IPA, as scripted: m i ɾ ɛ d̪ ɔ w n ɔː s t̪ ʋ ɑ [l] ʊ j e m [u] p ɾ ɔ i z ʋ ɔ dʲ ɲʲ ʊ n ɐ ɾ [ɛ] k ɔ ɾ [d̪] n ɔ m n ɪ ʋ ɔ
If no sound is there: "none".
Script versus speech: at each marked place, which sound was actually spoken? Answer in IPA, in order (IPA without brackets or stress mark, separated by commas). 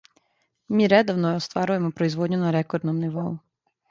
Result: ɾ, ɔ, ɛ, d̪